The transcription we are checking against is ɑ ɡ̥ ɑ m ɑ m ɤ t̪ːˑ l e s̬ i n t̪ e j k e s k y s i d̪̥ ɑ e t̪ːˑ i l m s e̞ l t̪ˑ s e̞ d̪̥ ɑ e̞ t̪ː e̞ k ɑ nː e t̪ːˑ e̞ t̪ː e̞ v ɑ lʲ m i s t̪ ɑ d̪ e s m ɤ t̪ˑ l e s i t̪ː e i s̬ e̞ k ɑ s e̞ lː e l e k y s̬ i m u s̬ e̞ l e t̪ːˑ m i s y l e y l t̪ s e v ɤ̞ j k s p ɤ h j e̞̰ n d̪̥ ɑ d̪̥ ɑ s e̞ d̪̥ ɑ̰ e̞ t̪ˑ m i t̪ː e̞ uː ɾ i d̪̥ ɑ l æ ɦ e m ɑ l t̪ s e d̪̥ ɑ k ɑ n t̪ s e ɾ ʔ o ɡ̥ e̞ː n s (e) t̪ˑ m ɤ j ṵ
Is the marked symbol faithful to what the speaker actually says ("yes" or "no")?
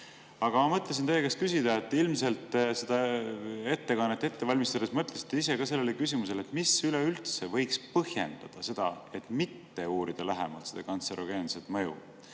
yes